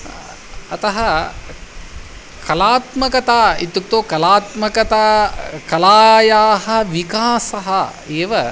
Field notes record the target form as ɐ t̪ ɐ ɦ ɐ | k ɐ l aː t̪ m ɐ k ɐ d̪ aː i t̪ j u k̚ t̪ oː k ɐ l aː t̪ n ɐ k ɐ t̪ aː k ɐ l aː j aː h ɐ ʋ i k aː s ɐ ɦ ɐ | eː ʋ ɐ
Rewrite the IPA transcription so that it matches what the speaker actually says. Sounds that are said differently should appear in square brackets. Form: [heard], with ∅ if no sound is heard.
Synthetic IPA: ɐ t̪ ɐ ɦ ɐ | k ɐ l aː t̪ m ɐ k ɐ [t̪] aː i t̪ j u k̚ t̪ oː k ɐ l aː t̪ [m] ɐ k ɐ t̪ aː k ɐ l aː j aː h ɐ ʋ i k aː s ɐ ɦ ɐ | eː ʋ ɐ

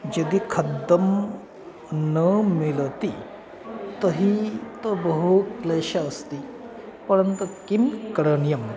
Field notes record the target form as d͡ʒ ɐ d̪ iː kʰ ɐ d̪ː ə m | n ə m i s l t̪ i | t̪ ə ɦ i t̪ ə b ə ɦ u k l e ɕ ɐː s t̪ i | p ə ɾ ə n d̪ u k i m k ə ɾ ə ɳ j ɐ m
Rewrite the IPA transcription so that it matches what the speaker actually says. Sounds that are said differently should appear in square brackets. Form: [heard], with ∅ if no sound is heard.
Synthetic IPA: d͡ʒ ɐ d̪ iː kʰ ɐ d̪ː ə m | n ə m i [∅] l t̪ i | t̪ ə ɦ i t̪ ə b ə ɦ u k l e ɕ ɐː s t̪ i | p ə ɾ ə n [t̪] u k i m k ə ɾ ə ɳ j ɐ m

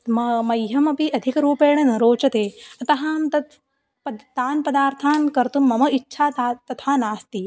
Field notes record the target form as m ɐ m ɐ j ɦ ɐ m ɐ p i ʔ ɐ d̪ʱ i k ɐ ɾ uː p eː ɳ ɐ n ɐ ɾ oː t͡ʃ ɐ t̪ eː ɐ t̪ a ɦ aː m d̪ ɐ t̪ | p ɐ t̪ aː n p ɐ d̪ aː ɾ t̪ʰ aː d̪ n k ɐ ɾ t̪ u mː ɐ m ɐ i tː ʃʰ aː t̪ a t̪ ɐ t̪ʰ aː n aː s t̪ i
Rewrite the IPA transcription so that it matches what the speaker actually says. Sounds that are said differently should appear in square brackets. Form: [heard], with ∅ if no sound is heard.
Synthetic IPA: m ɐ m ɐ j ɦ ɐ m ɐ p i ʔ ɐ d̪ʱ i k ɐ ɾ uː p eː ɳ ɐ n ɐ ɾ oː t͡ʃ ɐ t̪ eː ɐ t̪ [ɐ] ɦ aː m [t̪] ɐ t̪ | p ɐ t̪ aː n p ɐ d̪ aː ɾ t̪ʰ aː [∅] n k ɐ ɾ t̪ u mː ɐ m ɐ i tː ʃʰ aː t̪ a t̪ ɐ t̪ʰ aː n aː s t̪ i

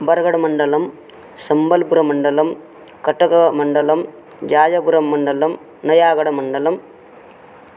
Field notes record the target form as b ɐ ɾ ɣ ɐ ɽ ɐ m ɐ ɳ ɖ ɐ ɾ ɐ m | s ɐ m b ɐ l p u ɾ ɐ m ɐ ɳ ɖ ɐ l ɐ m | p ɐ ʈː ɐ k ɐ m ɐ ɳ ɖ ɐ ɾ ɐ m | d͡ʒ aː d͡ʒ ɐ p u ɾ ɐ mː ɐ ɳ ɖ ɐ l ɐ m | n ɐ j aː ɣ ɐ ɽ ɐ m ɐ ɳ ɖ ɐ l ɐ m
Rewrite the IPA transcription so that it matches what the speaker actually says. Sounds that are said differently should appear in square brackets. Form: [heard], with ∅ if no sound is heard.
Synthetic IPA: b ɐ ɾ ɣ ɐ ɽ ɐ m ɐ ɳ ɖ ɐ [l] ɐ m | s ɐ m b ɐ l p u ɾ ɐ m ɐ ɳ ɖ ɐ l ɐ m | [k] ɐ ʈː ɐ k ɐ m ɐ ɳ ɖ ɐ [l] ɐ m | d͡ʒ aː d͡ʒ ɐ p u ɾ ɐ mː ɐ ɳ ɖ ɐ l ɐ m | n ɐ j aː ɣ ɐ ɽ ɐ m ɐ ɳ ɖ ɐ l ɐ m

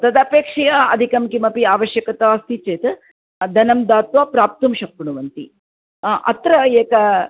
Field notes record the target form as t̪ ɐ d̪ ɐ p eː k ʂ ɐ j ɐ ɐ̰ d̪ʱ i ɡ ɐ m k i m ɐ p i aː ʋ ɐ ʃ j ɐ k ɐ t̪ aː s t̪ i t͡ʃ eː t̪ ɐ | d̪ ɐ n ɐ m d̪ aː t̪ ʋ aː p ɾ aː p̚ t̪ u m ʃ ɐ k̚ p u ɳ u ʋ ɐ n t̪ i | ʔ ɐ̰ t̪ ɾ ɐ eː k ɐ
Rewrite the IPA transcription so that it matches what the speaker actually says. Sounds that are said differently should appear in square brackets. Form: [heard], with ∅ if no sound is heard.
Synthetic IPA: t̪ ɐ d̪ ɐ p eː k ʂ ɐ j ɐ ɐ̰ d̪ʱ i [k] ɐ m k i m ɐ p i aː ʋ ɐ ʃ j ɐ k ɐ t̪ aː s t̪ i t͡ʃ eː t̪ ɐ | d̪ ɐ n ɐ m d̪ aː t̪ ʋ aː p ɾ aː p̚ t̪ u m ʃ ɐ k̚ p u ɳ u ʋ ɐ n t̪ i | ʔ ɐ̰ t̪ ɾ ɐ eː k ɐ

